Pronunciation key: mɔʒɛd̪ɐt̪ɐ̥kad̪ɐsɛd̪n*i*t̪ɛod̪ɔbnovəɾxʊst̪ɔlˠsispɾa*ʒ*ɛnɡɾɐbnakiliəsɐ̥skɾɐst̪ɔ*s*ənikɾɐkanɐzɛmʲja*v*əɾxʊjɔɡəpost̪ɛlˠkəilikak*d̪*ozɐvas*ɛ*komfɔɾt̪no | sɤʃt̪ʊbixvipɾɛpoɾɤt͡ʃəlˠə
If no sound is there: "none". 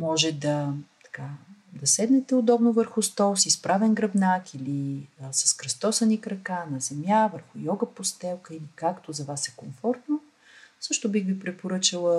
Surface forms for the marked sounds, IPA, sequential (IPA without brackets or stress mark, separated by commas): ɛ, v, s, v, t̪, ɛ